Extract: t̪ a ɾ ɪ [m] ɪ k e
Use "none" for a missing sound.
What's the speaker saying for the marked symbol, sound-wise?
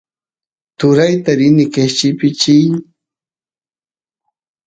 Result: n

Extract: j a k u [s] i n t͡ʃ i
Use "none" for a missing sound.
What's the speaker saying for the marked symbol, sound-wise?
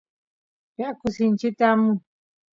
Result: s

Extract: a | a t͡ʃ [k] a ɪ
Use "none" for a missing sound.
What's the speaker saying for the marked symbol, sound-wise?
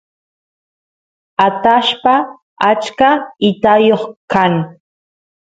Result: k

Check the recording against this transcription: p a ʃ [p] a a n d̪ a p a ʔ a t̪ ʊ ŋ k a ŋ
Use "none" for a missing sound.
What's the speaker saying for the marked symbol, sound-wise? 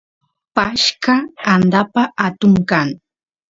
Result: k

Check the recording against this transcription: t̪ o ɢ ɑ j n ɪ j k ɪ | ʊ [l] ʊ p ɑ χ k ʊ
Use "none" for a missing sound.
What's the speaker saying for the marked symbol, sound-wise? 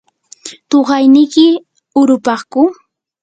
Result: ɾ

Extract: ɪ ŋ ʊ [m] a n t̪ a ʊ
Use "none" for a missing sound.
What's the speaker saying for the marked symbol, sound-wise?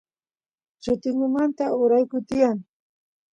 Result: m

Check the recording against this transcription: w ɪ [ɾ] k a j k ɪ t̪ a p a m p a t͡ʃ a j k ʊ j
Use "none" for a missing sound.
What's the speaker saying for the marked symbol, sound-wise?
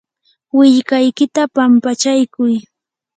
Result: ʎ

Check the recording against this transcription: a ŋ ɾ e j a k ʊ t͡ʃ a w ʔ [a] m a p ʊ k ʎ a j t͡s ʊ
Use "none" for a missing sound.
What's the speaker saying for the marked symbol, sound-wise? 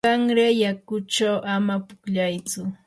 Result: a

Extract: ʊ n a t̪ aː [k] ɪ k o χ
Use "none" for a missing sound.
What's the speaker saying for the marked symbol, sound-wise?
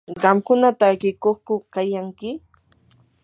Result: k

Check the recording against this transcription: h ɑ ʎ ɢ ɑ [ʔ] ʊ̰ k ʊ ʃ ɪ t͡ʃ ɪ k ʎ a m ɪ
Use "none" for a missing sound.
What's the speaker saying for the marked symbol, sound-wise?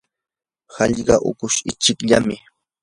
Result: ʔ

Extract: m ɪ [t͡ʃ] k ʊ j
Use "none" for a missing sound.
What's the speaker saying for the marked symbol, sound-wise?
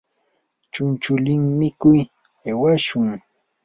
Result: none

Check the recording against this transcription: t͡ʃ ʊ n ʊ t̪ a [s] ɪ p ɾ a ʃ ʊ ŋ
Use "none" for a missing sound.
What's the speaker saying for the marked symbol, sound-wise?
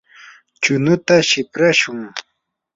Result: ʃ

